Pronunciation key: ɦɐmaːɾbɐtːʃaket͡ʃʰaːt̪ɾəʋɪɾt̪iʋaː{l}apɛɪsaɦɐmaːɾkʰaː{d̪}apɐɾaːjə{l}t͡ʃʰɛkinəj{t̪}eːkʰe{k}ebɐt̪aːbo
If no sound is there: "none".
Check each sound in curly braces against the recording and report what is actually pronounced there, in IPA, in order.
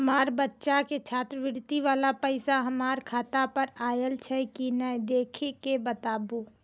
l, t̪, l, d̪, k

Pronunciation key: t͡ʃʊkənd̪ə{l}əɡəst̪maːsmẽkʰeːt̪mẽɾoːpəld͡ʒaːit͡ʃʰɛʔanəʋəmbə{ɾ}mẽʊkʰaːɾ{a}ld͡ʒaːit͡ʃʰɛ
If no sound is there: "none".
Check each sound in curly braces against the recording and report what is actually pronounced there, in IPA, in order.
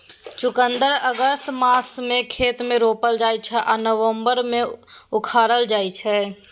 ɾ, ɾ, ə

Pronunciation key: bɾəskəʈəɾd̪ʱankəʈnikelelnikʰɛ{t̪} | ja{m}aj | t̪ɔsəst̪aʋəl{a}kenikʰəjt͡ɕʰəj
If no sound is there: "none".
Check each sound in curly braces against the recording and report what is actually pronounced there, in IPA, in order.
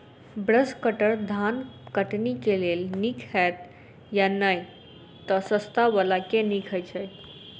t̪, n, a

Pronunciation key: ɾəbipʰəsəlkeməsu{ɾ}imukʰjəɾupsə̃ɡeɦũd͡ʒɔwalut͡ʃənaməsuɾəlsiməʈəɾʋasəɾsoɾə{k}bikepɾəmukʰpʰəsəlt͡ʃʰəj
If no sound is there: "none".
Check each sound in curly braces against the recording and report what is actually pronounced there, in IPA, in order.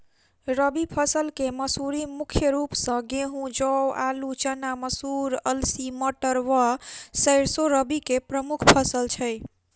ɾ, none

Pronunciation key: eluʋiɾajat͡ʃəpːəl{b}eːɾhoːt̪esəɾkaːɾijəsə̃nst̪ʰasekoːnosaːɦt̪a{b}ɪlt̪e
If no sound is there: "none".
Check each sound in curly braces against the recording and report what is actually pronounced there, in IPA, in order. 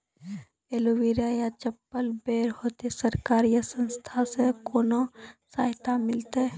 b, m

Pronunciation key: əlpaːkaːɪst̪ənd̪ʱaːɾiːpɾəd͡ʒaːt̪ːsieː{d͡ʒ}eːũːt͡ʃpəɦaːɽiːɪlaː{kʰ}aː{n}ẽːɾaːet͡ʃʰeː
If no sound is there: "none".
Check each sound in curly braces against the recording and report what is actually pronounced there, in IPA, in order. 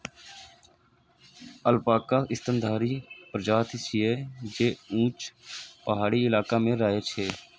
d͡ʒ, k, m

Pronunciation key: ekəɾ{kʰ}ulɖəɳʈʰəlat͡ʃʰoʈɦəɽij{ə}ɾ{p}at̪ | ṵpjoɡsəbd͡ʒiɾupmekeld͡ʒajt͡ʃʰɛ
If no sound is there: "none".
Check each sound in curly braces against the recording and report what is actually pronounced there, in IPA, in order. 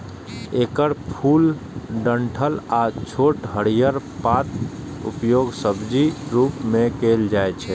pʰ, ə, p

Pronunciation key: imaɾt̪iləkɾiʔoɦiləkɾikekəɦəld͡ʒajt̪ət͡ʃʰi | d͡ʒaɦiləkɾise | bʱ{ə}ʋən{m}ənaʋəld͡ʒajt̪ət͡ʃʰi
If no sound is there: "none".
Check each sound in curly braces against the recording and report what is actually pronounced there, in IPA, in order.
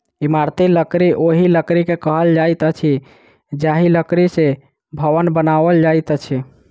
ə, b

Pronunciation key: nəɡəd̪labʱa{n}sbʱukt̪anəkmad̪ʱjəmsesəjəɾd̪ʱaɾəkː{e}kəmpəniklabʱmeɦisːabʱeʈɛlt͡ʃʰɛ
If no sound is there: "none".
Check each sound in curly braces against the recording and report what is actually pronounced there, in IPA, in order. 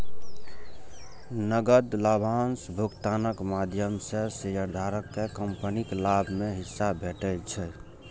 n, e

